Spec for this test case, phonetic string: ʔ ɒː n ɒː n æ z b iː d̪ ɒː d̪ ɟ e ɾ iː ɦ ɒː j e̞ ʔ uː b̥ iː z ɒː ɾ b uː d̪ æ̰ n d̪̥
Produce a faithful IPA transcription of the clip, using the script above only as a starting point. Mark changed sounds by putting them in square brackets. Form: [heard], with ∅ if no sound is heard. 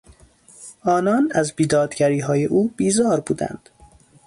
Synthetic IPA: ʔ ɒː n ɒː n æ z b iː d̪ ɒː d̪ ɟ [æ] ɾ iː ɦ ɒː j e̞ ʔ uː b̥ iː z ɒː ɾ b uː d̪ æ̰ n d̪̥

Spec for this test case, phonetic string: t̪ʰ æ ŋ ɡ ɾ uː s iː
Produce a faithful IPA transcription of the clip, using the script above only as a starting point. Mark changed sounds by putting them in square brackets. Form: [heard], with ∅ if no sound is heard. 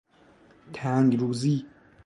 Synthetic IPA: t̪ʰ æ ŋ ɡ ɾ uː [z] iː

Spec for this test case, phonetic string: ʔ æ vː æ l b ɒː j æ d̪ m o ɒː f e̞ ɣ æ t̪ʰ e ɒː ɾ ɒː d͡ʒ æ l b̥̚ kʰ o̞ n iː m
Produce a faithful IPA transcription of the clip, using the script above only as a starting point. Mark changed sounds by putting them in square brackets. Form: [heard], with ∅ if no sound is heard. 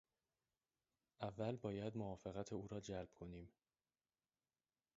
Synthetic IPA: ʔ æ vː æ l b ɒː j æ d̪ m o ɒː f e̞ ɣ æ t̪ʰ e [uː] ɾ ɒː d͡ʒ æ l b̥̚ kʰ o̞ n iː m

